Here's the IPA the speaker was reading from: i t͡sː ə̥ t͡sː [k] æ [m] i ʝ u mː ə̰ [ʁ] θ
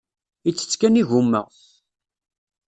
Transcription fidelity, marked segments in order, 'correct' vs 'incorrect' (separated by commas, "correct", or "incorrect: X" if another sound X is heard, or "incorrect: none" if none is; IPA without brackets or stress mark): correct, incorrect: n, correct